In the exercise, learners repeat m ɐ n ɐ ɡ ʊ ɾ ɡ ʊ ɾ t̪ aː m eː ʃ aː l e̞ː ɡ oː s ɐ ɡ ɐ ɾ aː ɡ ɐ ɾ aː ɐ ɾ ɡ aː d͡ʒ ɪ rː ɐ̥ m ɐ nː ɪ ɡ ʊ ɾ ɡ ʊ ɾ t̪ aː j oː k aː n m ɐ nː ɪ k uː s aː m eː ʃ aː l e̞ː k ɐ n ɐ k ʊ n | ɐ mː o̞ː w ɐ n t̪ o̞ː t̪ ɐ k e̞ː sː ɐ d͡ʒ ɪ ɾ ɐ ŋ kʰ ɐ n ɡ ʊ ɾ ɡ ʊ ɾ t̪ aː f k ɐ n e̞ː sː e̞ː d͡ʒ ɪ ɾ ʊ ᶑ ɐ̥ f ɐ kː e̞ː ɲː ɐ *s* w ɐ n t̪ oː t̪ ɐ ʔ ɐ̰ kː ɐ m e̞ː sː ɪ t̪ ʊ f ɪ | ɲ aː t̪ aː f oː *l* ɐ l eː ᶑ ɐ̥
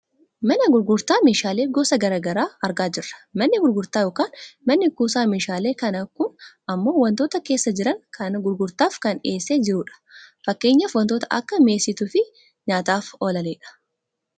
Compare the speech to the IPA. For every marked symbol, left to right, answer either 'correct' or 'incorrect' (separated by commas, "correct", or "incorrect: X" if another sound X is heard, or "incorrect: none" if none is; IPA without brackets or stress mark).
incorrect: f, correct